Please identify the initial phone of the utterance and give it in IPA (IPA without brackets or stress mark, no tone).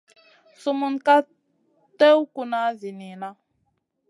s